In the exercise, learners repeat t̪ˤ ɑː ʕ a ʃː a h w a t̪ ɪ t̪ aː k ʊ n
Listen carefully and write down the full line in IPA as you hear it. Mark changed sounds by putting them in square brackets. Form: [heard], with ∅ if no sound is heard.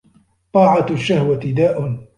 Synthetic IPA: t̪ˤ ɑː ʕ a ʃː a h w a t̪ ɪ [d̪] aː [ʔ] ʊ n